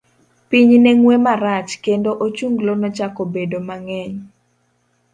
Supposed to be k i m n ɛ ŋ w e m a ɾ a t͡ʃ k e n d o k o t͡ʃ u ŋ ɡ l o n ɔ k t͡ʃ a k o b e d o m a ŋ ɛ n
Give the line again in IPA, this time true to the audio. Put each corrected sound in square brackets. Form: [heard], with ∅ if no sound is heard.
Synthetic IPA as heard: [p] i [ɲ] n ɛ ŋ w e m a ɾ a t͡ʃ k e n d o [ʔ] o t͡ʃ u ŋ ɡ l o n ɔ [∅] t͡ʃ a k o b e d o m a ŋ ɛ [ɲ]